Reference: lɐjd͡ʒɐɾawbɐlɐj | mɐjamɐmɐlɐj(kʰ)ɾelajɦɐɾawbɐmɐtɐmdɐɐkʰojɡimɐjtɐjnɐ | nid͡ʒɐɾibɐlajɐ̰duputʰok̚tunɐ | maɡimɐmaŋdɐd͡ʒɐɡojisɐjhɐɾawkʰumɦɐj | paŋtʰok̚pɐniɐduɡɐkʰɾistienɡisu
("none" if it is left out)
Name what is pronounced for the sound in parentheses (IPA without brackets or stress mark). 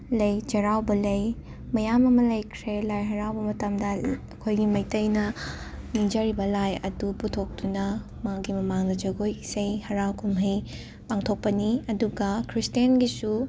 kʰ